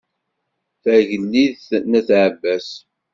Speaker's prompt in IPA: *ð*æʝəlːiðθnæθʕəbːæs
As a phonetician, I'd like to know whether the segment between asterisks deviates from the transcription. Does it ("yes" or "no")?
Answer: yes